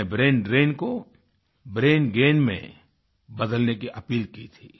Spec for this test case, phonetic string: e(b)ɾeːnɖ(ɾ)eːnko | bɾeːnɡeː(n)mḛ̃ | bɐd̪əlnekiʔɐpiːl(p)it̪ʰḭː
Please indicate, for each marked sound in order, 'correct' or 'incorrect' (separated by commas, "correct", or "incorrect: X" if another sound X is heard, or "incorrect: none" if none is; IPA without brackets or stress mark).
correct, correct, correct, incorrect: k